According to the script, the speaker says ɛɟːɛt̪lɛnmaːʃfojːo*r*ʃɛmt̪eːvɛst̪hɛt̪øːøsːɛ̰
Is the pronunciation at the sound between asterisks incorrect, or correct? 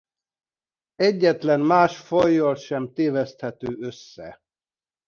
incorrect: l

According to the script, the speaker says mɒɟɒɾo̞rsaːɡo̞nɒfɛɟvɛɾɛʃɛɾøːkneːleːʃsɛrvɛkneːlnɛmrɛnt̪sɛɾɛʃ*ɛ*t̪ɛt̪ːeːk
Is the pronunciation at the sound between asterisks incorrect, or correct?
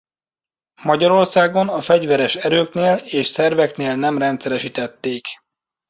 incorrect: i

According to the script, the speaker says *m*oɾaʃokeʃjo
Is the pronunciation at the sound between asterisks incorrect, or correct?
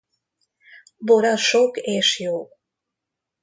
incorrect: b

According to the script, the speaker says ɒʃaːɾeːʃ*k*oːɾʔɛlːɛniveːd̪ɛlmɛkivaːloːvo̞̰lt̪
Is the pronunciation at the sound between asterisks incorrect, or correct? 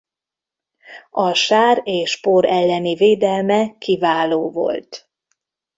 incorrect: p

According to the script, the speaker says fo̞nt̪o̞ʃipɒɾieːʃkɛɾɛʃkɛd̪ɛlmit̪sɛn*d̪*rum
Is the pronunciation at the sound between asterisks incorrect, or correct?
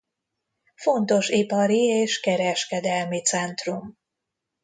incorrect: t̪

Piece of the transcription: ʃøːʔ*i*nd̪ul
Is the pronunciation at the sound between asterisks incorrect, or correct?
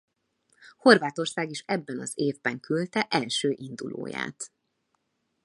correct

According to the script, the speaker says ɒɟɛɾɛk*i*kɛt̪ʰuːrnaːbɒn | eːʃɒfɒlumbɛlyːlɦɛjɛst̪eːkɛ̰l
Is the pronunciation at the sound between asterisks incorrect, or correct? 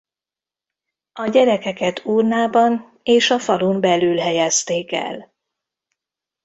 incorrect: ɛ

